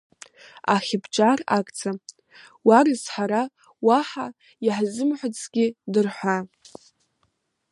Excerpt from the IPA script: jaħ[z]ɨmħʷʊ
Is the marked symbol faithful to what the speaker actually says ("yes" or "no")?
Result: yes